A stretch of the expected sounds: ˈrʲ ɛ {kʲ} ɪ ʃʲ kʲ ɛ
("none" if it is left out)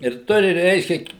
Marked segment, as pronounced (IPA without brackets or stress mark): none